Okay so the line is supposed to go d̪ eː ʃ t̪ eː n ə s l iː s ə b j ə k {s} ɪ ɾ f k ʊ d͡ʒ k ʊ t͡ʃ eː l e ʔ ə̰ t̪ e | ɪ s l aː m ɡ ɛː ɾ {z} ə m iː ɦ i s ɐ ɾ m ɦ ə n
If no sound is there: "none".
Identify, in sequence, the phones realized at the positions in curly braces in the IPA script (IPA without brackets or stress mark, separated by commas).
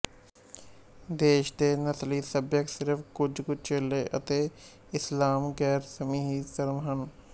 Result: s, s